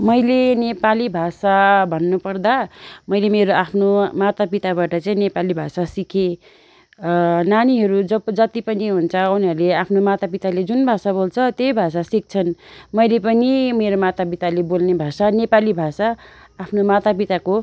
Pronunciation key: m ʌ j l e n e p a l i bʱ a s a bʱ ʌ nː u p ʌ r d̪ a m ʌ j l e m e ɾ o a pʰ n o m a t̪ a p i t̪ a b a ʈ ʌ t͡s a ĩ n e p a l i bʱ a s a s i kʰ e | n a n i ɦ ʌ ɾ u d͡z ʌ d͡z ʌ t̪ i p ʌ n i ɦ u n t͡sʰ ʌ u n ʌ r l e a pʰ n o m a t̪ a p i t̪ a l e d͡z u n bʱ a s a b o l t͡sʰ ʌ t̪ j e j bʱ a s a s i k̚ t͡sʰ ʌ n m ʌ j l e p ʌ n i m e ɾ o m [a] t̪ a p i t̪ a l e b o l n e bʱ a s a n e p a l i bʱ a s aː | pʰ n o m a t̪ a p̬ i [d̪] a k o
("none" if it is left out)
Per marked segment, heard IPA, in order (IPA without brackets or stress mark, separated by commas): a, t̪